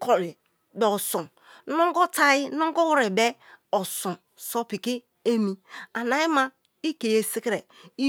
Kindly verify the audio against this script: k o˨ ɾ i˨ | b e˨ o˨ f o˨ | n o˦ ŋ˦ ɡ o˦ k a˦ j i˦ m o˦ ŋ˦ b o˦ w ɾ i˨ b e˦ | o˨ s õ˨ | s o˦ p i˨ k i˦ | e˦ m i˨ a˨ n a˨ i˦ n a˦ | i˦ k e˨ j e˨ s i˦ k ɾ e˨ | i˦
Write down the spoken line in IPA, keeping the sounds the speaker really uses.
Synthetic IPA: k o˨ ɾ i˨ | b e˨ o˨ s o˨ | n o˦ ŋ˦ ɡ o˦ t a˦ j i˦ n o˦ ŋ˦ ɡ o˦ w ɾ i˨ b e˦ | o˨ s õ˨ | s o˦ p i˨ k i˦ | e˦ m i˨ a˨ n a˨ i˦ m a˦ | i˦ k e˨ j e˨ s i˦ k ɾ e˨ | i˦